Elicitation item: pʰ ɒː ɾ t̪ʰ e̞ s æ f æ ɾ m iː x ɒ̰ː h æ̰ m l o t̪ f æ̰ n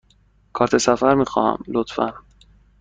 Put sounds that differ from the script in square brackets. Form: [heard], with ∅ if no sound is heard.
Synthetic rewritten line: [kʰ] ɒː ɾ t̪ʰ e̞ s æ f æ ɾ m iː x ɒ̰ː h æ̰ m l o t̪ f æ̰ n